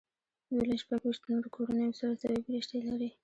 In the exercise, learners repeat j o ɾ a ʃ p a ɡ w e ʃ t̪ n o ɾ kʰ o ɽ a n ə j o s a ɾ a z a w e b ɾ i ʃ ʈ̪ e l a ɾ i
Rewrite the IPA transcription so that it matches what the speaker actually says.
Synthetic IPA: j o l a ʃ p a ɡ w i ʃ t̪ n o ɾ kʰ o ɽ a n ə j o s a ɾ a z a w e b ɾ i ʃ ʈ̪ e l a ɾ i